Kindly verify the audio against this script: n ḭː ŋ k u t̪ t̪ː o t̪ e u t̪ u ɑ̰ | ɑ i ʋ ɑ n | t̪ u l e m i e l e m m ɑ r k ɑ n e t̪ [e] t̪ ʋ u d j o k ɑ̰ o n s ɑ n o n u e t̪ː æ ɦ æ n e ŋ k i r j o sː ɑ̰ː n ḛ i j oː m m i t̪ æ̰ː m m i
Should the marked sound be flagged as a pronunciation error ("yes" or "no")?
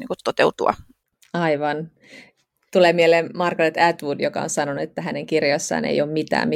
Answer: yes